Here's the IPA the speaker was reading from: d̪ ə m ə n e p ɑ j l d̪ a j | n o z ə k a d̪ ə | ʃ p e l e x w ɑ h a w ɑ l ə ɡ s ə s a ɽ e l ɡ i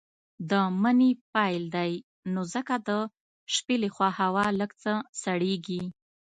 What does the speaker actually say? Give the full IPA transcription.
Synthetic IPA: d̪ ə m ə n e p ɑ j l d̪ a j | n o z ə k a d̪ ə | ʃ p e l e x w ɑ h a w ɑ l ə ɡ t͡s ə s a ɽ e ɡ i

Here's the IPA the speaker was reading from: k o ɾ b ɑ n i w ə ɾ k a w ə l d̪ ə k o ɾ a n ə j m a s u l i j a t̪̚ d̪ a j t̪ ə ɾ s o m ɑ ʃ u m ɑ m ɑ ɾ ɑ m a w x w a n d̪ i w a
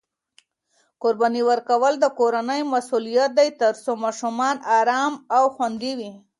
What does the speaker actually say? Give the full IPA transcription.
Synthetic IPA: k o ɾ b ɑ n i w ə ɾ k a w ə l d̪ ə k o ɾ a n ə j m a s u l i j a t̪̚ d̪ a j t̪ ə ɾ s o m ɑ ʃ u m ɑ n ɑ ɾ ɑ m a w x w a n d̪ i w i

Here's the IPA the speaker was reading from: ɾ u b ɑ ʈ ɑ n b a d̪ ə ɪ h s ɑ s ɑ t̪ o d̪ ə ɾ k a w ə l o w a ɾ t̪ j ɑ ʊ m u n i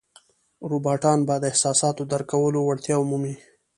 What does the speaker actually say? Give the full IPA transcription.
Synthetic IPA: ɾ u b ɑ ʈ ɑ n b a d̪ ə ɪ h s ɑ s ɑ t̪ o d̪ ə ɾ k a w ə l o w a ɽ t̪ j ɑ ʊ m u m i

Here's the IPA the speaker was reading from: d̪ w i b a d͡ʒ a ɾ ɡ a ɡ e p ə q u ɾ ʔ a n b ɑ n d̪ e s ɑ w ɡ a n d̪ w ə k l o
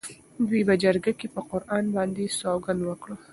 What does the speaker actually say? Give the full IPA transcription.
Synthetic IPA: d̪ w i b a d͡ʒ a ɾ ɡ a k e p ə q ʊ ɾ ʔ ɑ n b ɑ n d̪ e s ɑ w ɡ a n d̪ w ə k ɽ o

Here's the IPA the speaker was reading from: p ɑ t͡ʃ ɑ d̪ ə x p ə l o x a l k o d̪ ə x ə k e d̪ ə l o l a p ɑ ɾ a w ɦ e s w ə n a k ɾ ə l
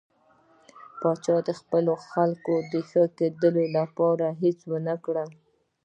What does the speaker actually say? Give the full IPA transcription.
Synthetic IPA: p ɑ t͡ʃ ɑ d̪ ə x p ə l o x a l k o d̪ ə x ə k e d̪ ə l o l a p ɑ ɾ a ɦ e t͡s w ə n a k ɽ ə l

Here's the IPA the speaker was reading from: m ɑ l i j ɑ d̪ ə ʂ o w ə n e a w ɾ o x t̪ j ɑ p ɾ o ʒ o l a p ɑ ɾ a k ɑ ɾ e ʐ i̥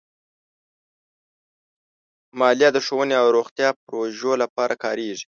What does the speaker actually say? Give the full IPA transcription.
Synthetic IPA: m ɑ l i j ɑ d̪ ə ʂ o w ə n e a w ɾ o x t̪ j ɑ p ɾ o ʒ o l a p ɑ ɾ a k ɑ ɾ e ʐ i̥

